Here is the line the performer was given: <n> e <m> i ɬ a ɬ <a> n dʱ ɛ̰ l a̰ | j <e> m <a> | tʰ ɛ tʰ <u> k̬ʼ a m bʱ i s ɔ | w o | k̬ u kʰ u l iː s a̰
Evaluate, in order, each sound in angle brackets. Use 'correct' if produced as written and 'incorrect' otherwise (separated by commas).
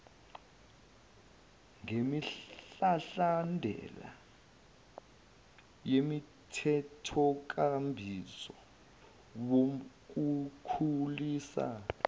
incorrect, correct, correct, correct, incorrect, incorrect